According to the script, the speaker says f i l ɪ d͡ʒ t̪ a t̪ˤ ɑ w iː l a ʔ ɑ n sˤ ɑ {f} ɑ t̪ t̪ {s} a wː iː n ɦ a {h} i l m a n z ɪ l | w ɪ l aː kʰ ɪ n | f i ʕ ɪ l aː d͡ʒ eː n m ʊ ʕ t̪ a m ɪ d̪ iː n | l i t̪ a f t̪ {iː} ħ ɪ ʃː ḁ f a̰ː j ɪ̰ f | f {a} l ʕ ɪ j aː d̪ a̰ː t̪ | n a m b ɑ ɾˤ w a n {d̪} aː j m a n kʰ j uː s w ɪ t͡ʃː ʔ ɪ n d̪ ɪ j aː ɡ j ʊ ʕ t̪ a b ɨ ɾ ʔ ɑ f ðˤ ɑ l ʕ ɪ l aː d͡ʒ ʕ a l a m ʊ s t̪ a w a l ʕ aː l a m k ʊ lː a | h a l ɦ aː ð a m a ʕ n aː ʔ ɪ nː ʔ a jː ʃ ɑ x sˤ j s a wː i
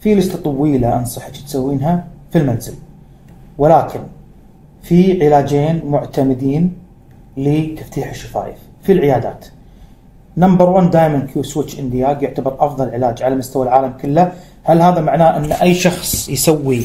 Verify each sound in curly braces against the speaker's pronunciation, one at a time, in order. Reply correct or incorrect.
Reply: incorrect, correct, incorrect, correct, incorrect, correct

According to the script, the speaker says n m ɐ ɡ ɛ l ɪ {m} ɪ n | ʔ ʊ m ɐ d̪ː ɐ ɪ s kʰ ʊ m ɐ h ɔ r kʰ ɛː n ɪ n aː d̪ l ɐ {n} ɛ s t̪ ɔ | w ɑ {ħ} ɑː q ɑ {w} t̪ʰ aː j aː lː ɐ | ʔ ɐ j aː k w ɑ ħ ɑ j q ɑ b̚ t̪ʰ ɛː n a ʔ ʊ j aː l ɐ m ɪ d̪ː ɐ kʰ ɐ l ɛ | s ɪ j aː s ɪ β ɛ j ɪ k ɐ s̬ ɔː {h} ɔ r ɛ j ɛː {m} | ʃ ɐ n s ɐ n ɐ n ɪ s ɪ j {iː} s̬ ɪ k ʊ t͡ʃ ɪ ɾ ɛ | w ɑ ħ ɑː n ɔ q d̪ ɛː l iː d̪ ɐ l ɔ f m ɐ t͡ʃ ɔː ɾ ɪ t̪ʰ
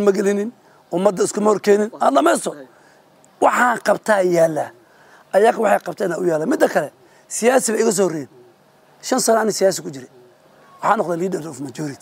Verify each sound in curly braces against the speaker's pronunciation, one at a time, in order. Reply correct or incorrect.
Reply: incorrect, incorrect, correct, incorrect, correct, incorrect, incorrect

